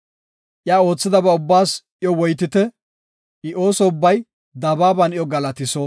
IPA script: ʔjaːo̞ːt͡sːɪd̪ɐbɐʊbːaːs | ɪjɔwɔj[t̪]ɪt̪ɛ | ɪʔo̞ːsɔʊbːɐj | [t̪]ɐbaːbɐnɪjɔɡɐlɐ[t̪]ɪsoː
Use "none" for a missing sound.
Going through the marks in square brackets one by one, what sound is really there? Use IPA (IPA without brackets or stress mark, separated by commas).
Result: t̪, d̪, t̪